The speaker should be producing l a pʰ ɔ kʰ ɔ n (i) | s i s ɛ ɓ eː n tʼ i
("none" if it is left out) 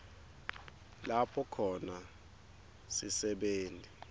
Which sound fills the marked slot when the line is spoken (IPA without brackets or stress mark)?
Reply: a